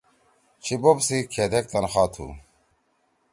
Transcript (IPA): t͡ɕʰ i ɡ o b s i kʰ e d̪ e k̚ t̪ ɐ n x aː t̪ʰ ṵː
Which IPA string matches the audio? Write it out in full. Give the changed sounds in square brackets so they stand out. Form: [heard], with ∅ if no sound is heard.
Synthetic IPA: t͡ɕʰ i [b] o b s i kʰ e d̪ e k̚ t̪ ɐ n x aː t̪ʰ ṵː